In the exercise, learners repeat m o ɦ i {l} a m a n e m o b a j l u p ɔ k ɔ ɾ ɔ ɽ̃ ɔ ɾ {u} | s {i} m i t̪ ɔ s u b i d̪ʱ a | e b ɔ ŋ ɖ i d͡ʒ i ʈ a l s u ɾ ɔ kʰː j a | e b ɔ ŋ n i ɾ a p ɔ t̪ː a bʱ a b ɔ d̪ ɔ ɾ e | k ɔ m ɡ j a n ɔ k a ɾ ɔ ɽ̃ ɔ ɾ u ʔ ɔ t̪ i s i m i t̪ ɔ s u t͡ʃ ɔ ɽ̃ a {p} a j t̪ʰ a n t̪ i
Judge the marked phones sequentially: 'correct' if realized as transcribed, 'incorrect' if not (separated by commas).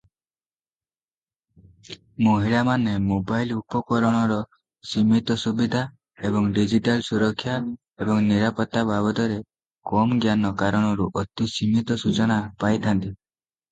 incorrect, incorrect, correct, correct